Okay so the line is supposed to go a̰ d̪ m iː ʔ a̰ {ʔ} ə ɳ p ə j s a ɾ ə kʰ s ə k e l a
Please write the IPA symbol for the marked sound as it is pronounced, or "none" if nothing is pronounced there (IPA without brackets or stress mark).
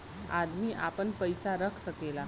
p